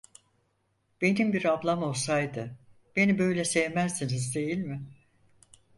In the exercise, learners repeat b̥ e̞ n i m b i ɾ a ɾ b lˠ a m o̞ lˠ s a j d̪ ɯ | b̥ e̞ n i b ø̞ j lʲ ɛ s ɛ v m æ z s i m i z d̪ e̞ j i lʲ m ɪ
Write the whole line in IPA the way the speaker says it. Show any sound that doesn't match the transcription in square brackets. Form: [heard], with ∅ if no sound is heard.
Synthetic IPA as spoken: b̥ e̞ n i m b i ɾ a [∅] b lˠ a m o̞ lˠ s a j d̪ ɯ | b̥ e̞ n i b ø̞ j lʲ ɛ s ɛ v m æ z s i [n] i z d̪ e̞ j i lʲ m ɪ